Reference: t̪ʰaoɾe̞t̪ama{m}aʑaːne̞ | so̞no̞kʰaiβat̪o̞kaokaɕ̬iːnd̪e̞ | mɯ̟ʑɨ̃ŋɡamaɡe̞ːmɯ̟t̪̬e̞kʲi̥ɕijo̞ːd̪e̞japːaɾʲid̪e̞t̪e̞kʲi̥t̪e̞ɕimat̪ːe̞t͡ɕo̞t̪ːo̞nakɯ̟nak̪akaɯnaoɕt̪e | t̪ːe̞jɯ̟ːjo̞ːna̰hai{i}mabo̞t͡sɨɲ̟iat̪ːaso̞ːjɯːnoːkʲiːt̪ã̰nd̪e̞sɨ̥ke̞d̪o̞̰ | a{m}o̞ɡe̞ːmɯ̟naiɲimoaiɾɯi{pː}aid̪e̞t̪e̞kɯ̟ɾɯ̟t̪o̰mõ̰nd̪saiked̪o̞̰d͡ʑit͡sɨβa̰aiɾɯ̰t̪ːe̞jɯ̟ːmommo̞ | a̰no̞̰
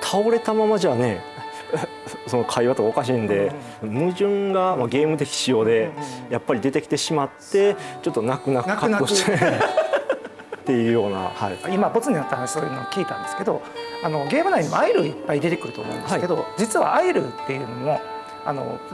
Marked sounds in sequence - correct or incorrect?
correct, correct, incorrect: n, correct

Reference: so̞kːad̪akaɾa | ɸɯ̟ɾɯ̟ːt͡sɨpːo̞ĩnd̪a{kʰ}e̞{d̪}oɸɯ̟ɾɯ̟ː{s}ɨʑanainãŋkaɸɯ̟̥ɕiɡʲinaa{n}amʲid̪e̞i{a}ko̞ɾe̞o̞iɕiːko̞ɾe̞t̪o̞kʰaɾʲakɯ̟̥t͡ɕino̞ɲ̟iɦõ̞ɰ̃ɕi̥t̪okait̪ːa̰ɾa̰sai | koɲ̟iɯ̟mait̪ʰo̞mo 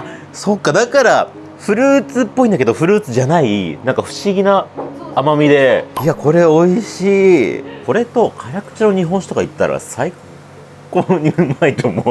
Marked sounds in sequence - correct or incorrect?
incorrect: k, correct, incorrect: t͡s, incorrect: m, correct

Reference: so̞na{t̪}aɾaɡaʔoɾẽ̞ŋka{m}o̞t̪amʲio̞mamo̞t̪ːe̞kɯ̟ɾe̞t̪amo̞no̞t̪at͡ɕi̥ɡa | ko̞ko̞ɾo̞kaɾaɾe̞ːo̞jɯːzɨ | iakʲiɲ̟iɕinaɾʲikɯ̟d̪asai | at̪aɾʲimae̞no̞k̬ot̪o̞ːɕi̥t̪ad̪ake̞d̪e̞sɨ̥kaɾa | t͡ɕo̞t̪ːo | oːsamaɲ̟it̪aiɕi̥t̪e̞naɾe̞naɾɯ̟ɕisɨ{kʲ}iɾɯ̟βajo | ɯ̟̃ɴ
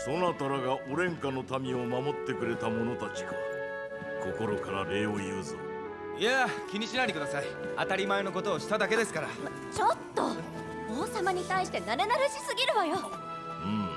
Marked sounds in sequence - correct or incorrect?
correct, incorrect: n, incorrect: ɡʲ

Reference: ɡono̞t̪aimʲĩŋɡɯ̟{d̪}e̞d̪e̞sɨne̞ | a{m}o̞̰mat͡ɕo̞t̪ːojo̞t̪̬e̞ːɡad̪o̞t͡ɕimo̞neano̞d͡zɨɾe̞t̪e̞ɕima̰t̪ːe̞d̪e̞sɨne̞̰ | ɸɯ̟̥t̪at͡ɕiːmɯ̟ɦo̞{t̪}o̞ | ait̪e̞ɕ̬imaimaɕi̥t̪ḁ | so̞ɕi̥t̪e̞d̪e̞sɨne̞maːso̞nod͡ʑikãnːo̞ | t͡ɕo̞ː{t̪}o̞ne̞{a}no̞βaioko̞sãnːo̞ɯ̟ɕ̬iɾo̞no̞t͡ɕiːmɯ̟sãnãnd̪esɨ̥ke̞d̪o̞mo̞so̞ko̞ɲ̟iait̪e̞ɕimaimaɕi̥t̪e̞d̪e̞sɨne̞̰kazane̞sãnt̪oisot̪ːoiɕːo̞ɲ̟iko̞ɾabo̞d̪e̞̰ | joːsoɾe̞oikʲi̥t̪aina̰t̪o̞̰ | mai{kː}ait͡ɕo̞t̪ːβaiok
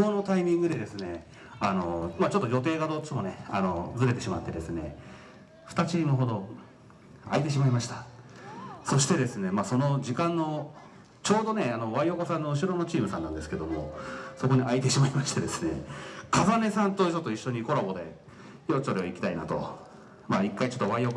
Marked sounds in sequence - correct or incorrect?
correct, incorrect: n, incorrect: d̪, incorrect: d̪, correct, correct

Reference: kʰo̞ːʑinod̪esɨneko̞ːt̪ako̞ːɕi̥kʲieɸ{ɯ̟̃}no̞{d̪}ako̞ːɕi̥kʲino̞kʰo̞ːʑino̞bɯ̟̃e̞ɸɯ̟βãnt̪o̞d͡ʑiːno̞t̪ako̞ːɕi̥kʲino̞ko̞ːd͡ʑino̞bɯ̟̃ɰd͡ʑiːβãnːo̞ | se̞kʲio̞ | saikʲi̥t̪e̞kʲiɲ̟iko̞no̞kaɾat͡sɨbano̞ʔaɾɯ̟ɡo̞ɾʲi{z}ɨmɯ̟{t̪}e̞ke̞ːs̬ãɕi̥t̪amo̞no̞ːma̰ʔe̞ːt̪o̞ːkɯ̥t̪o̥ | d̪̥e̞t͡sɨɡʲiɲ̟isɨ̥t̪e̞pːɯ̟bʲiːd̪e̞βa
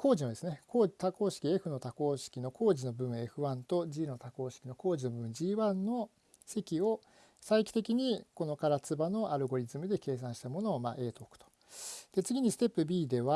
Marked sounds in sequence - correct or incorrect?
incorrect: ɯ̟, incorrect: t̪, correct, incorrect: d̪

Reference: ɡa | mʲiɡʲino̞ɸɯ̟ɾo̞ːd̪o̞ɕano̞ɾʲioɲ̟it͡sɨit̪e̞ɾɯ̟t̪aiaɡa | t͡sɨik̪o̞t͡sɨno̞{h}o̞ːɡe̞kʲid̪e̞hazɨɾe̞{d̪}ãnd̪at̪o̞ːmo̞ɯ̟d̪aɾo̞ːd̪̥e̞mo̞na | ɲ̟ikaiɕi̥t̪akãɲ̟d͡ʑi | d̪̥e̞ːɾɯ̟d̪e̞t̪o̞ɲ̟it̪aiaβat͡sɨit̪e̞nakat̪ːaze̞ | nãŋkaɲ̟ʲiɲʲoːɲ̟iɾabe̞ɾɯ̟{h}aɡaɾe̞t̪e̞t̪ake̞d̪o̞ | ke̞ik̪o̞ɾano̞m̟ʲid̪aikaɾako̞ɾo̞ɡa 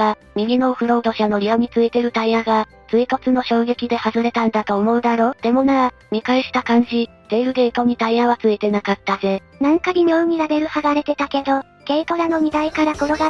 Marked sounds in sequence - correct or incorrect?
incorrect: ɕ, incorrect: t̪, correct

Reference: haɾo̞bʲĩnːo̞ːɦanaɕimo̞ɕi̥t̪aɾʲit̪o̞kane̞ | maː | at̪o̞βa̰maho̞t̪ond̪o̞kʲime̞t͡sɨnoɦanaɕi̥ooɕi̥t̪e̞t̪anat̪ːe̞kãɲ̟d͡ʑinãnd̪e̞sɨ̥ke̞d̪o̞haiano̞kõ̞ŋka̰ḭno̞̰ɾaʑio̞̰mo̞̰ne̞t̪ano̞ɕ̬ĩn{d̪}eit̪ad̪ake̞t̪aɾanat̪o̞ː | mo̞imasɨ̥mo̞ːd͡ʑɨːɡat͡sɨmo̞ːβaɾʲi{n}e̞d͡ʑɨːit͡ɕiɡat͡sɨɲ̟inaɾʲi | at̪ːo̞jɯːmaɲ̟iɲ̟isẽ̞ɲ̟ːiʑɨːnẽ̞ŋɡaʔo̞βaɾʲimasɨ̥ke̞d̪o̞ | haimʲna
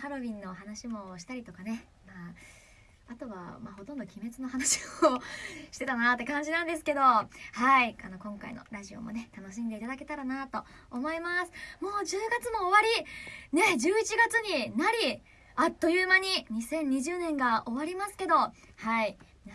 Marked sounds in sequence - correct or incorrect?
correct, correct

